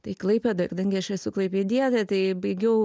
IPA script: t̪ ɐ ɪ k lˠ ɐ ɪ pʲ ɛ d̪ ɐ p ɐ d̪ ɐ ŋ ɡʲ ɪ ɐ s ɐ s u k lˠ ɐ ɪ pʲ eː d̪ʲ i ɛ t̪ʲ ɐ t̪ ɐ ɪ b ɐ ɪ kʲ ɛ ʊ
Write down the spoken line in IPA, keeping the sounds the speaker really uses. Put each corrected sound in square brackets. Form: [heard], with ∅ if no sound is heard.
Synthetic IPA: t̪ ɐ ɪ k lˠ ɐ ɪ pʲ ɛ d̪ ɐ [k] ɐ d̪ ɐ ŋ ɡʲ ɪ ɐ [ʃ] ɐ s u k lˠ ɐ ɪ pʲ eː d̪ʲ i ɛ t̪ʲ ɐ t̪ ɐ ɪ b ɐ ɪ [ɡʲ] ɛ ʊ